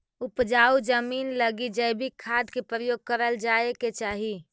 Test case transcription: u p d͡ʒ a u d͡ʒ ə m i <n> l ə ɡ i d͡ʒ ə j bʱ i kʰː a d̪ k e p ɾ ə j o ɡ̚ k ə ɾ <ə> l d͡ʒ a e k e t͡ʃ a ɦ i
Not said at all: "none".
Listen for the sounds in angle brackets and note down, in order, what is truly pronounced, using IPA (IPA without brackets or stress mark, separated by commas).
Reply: n, ə